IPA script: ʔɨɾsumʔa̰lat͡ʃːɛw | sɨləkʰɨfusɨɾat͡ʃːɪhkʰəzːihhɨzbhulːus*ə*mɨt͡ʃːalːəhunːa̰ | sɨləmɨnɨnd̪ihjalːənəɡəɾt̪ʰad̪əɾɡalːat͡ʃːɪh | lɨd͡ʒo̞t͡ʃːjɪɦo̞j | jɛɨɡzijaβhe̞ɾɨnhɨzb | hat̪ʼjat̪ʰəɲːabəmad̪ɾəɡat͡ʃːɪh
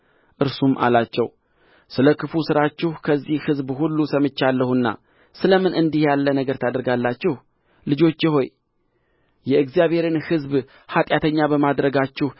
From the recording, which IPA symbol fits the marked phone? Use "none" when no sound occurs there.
ə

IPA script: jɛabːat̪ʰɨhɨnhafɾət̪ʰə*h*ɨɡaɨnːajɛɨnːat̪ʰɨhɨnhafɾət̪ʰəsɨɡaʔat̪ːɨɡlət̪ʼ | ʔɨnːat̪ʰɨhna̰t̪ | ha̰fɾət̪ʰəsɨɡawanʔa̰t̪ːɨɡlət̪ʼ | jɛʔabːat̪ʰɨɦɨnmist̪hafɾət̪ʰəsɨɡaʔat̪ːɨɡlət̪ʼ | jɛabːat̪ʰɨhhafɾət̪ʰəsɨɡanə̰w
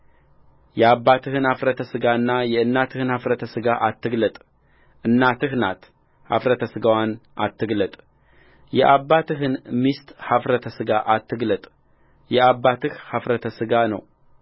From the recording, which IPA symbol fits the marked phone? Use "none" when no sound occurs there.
s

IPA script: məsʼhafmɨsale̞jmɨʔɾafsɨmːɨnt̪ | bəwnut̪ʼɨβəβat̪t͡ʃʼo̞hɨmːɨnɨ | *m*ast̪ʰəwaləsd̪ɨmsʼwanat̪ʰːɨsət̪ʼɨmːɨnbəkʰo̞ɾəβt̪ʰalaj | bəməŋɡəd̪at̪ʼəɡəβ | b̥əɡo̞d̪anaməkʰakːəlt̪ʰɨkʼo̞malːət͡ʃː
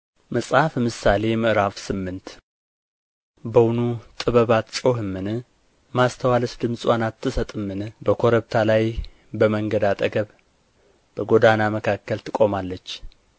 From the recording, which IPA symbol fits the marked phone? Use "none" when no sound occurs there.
m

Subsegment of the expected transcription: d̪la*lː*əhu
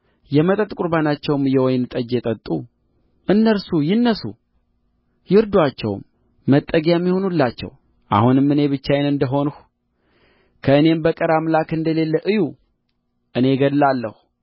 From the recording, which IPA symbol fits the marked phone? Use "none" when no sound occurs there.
lː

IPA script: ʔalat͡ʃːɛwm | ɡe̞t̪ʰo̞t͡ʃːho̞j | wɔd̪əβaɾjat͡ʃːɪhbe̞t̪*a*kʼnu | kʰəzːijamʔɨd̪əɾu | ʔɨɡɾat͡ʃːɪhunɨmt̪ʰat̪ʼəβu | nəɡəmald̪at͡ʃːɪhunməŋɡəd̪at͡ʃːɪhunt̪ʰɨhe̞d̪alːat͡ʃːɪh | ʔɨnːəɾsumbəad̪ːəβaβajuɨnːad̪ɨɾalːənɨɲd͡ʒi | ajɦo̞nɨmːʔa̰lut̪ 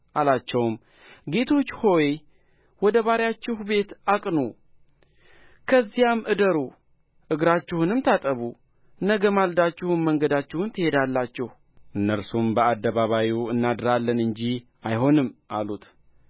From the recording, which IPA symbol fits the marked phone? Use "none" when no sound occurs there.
a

